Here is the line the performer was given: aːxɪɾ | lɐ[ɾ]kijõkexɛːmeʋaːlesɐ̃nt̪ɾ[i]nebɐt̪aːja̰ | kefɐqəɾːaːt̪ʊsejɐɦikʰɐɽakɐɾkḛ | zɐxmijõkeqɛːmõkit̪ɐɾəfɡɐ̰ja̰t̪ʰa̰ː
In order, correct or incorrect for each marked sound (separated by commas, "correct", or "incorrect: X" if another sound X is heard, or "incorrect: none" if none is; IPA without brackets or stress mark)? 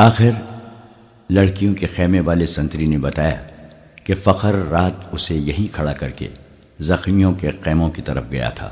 incorrect: ɽ, correct